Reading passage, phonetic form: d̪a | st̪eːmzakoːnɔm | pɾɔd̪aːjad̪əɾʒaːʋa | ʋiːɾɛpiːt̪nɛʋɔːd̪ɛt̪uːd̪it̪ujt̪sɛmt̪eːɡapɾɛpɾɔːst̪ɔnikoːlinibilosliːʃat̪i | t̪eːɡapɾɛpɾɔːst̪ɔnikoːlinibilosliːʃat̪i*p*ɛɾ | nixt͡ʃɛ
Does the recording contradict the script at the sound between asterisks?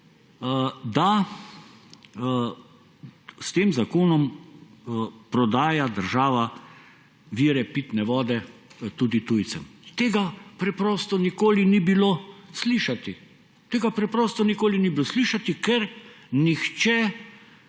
yes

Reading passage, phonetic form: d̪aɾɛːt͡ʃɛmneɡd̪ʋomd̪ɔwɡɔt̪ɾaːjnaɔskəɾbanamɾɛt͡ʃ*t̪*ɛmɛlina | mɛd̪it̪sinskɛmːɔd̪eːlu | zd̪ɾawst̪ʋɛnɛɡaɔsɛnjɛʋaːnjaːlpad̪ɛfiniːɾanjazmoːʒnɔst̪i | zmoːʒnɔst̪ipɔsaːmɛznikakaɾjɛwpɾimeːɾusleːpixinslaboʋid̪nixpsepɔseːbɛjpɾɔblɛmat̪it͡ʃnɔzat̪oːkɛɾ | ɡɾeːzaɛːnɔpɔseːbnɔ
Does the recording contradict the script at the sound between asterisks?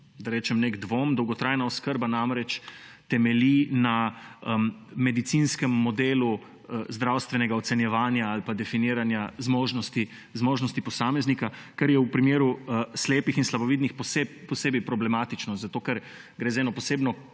no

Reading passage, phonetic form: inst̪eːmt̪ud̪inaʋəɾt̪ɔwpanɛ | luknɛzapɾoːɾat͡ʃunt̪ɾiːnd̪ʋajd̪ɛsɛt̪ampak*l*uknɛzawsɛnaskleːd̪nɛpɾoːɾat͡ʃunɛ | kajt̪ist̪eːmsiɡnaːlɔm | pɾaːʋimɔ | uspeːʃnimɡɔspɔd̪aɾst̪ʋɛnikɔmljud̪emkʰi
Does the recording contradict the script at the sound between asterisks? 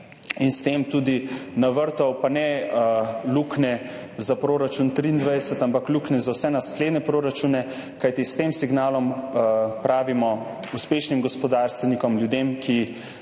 no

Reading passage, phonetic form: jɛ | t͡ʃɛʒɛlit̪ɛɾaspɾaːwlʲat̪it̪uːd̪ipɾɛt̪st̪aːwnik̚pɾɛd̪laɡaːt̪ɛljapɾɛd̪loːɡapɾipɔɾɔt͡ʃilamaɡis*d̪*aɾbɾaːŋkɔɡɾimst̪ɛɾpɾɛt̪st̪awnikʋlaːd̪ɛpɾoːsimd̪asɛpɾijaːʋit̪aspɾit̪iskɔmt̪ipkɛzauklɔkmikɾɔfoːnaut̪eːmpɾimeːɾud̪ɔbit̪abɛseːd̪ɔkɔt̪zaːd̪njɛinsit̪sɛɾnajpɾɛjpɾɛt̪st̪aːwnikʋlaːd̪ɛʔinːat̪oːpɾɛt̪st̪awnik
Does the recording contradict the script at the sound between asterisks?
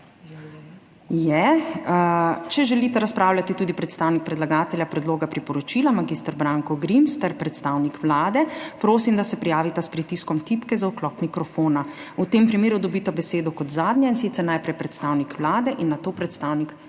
yes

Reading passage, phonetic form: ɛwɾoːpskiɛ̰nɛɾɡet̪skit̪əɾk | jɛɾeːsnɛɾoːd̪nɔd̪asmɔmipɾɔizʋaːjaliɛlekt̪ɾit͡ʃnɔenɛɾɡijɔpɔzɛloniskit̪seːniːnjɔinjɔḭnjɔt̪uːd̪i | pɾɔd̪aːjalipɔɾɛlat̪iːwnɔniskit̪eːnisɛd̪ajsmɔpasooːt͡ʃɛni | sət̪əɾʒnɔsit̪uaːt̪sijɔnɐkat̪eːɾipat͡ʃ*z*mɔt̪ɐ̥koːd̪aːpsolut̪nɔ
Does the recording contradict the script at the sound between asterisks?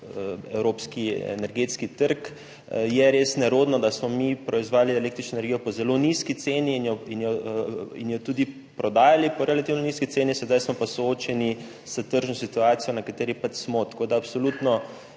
yes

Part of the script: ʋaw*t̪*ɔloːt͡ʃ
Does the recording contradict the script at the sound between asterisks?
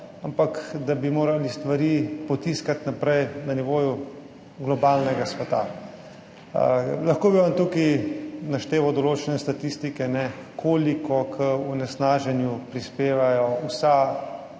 yes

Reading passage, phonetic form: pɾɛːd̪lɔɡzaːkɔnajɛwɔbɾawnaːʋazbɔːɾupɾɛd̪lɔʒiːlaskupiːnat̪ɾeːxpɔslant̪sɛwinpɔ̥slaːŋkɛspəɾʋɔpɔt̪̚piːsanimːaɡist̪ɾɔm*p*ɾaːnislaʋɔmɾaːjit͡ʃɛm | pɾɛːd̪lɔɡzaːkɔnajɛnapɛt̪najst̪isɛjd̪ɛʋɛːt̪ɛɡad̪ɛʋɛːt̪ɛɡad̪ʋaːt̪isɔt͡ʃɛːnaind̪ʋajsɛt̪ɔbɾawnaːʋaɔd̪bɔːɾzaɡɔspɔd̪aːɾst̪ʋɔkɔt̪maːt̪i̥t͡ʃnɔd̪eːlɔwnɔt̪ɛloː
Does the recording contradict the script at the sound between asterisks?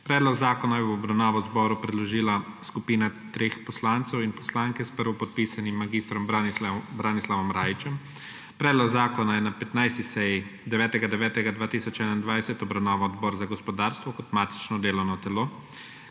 yes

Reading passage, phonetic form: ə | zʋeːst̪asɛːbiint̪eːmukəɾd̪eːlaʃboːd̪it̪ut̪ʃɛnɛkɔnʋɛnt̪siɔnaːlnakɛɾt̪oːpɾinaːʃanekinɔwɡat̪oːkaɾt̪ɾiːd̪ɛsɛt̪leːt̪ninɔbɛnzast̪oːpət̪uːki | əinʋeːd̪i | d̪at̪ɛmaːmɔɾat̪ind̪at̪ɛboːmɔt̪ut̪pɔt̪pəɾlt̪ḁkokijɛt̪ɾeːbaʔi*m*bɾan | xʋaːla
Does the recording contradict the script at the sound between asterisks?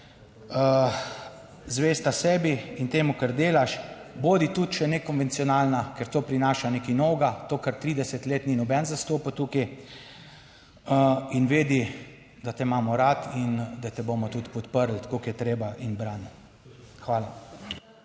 yes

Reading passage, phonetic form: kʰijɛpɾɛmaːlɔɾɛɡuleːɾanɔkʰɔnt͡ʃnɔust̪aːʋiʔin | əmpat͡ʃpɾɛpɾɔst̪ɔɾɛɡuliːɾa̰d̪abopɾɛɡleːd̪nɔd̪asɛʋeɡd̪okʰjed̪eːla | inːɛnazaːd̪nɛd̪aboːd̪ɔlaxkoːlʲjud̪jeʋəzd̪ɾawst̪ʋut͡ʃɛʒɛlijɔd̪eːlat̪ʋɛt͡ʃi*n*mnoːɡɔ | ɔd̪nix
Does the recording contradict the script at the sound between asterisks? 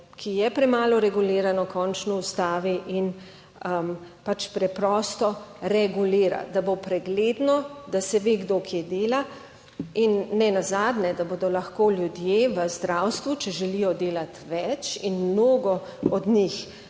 no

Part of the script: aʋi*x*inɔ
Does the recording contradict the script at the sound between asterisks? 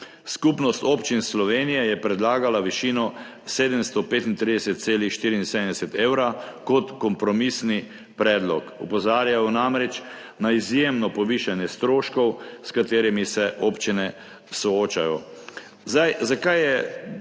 yes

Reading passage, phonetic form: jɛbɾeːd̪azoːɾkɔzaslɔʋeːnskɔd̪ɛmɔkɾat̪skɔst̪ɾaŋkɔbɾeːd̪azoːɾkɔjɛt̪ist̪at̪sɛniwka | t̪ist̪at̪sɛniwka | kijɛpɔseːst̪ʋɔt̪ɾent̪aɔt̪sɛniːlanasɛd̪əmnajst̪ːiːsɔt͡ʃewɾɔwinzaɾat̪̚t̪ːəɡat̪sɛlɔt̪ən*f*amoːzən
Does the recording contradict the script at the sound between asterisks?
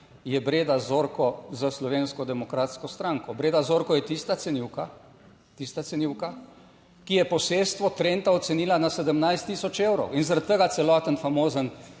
no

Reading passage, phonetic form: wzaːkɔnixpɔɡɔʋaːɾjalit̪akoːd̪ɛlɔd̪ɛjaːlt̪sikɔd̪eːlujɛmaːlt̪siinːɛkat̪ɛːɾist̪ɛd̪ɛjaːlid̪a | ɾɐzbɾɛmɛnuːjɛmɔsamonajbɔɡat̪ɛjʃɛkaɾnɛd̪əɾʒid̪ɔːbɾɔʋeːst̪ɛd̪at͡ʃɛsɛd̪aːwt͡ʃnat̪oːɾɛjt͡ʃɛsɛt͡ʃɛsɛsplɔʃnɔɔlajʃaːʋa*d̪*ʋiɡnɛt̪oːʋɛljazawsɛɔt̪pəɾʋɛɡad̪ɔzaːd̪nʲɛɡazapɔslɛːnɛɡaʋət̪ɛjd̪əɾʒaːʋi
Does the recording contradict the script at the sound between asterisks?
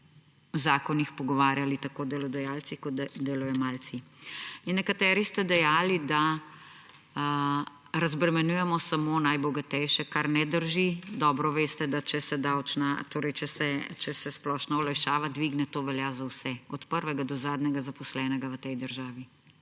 no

